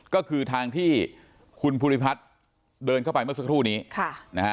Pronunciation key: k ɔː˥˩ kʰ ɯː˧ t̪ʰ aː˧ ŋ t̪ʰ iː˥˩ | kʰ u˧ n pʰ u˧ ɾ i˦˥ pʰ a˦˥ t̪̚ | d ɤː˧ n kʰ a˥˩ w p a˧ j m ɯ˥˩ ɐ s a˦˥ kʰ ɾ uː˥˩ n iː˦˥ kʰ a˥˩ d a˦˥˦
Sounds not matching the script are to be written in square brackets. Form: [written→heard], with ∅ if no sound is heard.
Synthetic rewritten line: k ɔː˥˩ kʰ ɯː˧ t̪ʰ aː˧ ŋ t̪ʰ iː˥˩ | kʰ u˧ n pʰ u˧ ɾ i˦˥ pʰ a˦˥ t̪̚ | d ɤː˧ n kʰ a˥˩ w p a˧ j m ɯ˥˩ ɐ s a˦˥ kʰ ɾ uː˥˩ n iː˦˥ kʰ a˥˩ [d→n] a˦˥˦